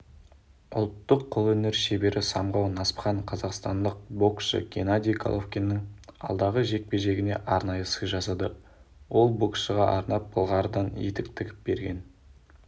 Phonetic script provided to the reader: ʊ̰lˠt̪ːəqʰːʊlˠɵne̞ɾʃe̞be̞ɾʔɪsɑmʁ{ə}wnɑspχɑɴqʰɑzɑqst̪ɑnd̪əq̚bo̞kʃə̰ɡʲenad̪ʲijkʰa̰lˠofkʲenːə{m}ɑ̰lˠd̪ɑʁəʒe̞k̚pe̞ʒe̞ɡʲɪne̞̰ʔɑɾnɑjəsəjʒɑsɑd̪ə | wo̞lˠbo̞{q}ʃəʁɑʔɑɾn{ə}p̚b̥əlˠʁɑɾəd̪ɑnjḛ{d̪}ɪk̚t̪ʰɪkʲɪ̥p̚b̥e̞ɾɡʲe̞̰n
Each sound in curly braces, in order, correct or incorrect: incorrect: ɑ, incorrect: ŋ, incorrect: k, incorrect: ɑ, incorrect: t̪

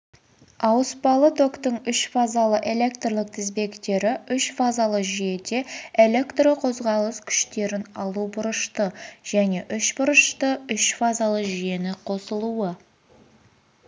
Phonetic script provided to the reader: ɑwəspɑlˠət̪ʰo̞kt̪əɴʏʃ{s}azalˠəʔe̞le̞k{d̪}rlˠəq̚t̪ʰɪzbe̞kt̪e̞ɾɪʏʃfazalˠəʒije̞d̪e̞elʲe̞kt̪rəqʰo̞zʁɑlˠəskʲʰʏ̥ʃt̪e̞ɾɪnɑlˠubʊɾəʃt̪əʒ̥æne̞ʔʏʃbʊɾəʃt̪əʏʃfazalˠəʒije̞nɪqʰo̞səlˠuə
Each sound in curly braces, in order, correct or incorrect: incorrect: f, incorrect: t̪

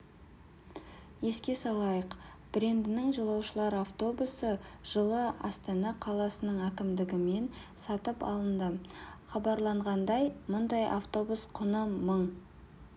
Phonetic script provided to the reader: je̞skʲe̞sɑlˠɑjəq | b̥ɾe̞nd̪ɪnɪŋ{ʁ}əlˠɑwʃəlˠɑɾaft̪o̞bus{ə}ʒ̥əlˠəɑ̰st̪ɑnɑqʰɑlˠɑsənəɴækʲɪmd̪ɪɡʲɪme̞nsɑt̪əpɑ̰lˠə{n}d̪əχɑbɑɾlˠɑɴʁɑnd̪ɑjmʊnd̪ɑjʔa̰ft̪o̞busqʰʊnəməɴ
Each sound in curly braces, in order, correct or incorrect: incorrect: ʒ, correct, correct

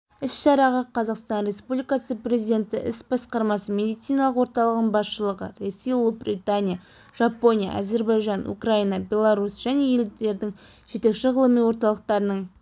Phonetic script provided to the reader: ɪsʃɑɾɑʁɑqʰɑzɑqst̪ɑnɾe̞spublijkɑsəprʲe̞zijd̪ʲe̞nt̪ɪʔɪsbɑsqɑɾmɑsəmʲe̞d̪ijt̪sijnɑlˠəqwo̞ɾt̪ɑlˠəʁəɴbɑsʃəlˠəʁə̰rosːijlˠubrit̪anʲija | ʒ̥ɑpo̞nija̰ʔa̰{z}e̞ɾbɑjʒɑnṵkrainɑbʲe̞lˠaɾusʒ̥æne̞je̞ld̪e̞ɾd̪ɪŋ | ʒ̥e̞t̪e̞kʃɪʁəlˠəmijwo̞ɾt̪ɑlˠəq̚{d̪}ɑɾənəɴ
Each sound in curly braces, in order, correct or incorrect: correct, incorrect: t̪

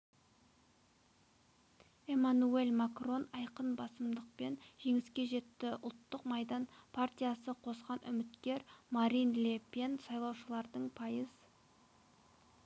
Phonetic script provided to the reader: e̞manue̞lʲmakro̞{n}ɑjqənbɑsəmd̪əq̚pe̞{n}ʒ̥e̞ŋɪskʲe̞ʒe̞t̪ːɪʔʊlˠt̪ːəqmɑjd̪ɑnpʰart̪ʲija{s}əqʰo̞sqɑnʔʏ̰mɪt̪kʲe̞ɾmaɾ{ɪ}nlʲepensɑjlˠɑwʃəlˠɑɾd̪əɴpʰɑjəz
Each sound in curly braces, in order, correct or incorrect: correct, correct, correct, incorrect: i

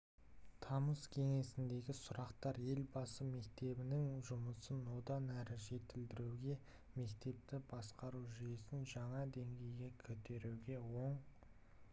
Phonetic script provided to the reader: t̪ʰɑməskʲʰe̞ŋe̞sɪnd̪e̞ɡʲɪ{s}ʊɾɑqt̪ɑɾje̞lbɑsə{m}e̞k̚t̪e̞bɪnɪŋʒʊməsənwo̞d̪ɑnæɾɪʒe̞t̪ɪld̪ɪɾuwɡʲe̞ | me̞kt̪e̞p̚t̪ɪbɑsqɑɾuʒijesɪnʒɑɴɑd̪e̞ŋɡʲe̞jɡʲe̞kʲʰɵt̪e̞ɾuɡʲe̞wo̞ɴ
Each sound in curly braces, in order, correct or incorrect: correct, correct

